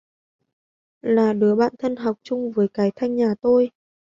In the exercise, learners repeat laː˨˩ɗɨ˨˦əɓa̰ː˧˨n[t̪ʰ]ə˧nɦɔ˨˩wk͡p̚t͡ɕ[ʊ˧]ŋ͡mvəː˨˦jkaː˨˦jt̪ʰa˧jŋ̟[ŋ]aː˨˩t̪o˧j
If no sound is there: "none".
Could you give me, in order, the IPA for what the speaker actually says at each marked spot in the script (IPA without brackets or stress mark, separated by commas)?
t̪ʰ, ʊ˧, ɲ